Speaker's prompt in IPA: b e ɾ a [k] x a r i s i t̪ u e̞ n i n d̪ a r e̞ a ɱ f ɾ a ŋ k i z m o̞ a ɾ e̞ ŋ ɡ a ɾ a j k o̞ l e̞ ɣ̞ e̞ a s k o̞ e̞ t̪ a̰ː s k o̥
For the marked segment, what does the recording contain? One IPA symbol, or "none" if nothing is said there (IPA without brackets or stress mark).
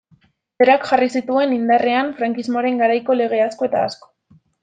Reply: k